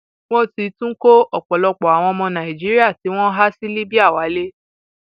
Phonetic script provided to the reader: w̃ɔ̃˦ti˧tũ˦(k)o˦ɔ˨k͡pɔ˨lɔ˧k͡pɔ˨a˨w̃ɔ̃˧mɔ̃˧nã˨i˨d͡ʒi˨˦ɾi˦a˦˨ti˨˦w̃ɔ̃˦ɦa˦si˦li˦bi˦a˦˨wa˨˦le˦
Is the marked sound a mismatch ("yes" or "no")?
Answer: no